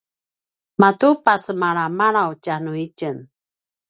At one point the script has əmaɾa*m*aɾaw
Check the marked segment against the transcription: correct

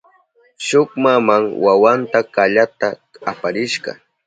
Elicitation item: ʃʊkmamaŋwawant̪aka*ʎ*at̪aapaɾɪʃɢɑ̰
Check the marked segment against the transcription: correct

